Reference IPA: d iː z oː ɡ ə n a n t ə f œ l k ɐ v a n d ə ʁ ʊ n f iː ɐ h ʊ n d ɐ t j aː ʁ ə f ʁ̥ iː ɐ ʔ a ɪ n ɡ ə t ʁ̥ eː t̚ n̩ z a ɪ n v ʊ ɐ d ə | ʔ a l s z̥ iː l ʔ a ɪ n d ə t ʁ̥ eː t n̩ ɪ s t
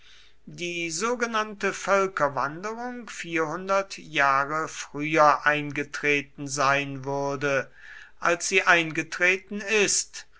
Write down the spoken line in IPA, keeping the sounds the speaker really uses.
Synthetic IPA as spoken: d iː z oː ɡ ə n a n t ə f œ l k ɐ v a n d ə ʁ ʊ ŋ f iː ɐ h ʊ n d ɐ t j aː ʁ ə f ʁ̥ yː ɐ ʔ a ɪ n ɡ ə t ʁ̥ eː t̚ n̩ z a ɪ n v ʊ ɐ d ə | ʔ a l s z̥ iː ʔ a ɪ n ɡ ə t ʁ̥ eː t n̩ ɪ s t

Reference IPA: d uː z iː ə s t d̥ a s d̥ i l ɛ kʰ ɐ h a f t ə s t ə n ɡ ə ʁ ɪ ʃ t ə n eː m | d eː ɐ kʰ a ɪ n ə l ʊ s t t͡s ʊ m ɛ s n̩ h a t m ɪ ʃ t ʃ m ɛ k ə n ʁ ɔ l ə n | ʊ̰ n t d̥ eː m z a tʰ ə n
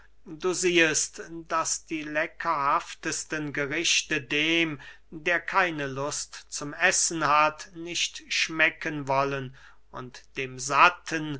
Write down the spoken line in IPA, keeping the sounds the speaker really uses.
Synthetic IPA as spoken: d uː z iː ə s t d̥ a s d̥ iː l ɛ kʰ ɐ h a f t ə s t ə n ɡ ə ʁ ɪ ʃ t ə d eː m | d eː ɐ kʰ a ɪ n ə l ʊ s t t͡s ʊ m ɛ s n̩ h a t n ɪ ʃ t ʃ m ɛ k ə n v ɔ l ə n | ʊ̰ n t d̥ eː m z a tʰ ə n

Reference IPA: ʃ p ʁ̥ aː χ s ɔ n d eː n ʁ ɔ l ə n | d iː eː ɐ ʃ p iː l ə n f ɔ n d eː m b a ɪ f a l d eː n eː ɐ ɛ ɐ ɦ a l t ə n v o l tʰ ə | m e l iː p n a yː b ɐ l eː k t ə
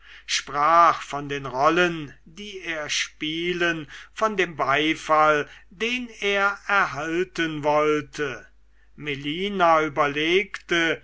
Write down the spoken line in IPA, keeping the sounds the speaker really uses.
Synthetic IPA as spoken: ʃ p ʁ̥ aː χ f ɔ n d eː n ʁ ɔ l ə n | d iː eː ɐ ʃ p iː l ə n f ɔ n d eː m b a ɪ f a l d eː n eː ɐ ɛ ɐ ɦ a l t ə n v ɔ l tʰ ə | m e l iː n a yː b ɐ l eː k t ə

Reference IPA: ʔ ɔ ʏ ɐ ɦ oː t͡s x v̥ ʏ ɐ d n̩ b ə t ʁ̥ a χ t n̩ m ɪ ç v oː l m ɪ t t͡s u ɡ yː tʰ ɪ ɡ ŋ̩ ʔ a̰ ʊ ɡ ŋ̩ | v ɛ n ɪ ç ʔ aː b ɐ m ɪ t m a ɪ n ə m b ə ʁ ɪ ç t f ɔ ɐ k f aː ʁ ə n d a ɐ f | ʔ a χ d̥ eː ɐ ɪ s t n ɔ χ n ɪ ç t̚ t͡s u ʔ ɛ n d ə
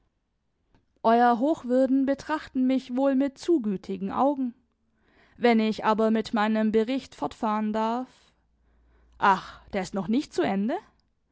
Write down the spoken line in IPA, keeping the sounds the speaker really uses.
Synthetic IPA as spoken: ʔ ɔ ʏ ɐ ɦ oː x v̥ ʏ ɐ d n̩ b ə t ʁ̥ a χ t n̩ m ɪ ç v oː l m ɪ t t͡s uː ɡ yː tʰ ɪ ɡ ŋ̩ ʔ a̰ ʊ ɡ ŋ̩ | v ɛ n ɪ ç ʔ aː b ɐ m ɪ t m a ɪ n ə m b ə ʁ ɪ ç t f ɔ ɐ t f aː ʁ ə n d a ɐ f | ʔ a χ d̥ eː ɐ ɪ s t n ɔ χ n ɪ ç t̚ t͡s u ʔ ɛ n d ə

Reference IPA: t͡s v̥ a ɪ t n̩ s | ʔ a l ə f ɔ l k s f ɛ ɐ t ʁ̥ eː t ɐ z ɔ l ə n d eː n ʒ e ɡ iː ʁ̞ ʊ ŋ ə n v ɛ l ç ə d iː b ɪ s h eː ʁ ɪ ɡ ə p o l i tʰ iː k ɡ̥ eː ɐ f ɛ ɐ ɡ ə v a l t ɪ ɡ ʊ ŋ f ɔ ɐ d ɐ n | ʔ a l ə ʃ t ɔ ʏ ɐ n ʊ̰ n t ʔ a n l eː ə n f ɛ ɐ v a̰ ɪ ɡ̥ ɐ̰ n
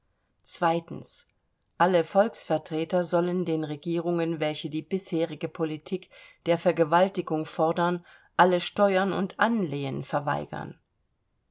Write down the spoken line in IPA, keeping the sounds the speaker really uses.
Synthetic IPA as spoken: t͡s v̥ a ɪ t n̩ s | ʔ a l ə f ɔ l k s f ɛ ɐ t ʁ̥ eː t ɐ z ɔ l ə n d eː n ʁ e ɡ iː ʁ̞ ʊ ŋ ə n v ɛ l ç ə d iː b ɪ s h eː ʁ ɪ ɡ ə pʰ o l i tʰ iː k d̥ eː ɐ f ɛ ɐ ɡ ə v a l t ɪ ɡ ʊ ŋ f ɔ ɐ d ɐ n | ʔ a l ə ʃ t ɔ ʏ ɐ n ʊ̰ n t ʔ a n l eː ə n f ɛ ɐ v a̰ ɪ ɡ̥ ɐ̰ n

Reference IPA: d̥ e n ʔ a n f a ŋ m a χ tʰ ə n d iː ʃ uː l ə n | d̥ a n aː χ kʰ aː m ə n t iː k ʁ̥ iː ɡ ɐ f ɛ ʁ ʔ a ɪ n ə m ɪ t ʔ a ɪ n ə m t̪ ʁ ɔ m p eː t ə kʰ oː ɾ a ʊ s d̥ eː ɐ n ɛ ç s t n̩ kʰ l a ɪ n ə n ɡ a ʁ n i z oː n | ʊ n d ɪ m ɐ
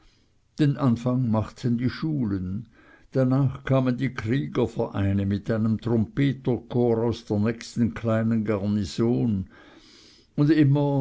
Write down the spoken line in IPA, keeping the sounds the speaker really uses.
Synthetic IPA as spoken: d̥ e n ʔ a n f a ŋ m a χ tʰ ə n d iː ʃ uː l ə n | d̥ a n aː χ kʰ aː m ə n d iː k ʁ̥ iː ɡ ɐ f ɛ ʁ ʔ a ɪ n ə m ɪ t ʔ a ɪ n ə m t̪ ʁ ɔ m p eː t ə kʰ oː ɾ a ʊ s d̥ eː ɐ n ɛ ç s t n̩ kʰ l a ɪ n ə n ɡ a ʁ n i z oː n | ʊ n d ɪ m ɐ

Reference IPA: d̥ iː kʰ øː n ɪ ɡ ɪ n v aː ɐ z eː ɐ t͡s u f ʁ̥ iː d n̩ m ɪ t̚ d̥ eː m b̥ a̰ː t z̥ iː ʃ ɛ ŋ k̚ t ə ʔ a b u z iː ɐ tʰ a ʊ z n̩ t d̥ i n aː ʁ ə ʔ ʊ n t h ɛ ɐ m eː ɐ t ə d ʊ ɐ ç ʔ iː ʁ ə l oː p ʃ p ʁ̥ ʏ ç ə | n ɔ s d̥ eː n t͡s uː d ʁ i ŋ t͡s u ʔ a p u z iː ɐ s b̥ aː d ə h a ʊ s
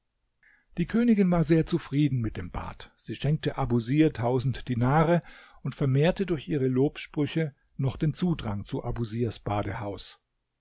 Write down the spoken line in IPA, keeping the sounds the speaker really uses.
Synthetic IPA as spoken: d̥ iː kʰ øː n ɪ ɡ ɪ n v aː ɐ z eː ɐ t͡s u f ʁ̥ iː d n̩ m ɪ t̚ d̥ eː m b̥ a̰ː t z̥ iː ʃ ɛ ŋ k̚ t ə ʔ a b u z iː ɐ tʰ a ʊ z n̩ t d̥ i n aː ʁ ə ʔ ʊ n t f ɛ ɐ m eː ɐ t ə d ʊ ɐ ç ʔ iː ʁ ə l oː p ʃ p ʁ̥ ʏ ç ə | n ɔ χ d̥ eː n t͡s uː d ʁ a ŋ t͡s u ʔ a b u z iː ɐ s b̥ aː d ə h a ʊ s

